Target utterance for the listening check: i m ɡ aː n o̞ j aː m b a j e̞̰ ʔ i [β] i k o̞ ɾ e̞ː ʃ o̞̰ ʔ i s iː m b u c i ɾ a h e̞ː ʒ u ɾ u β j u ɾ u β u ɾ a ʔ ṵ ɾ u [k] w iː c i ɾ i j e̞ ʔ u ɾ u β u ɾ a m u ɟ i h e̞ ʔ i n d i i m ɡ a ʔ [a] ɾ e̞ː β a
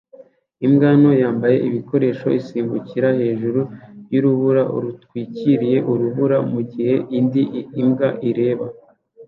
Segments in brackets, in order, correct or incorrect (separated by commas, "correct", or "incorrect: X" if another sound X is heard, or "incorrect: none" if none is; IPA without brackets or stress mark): correct, incorrect: t, incorrect: i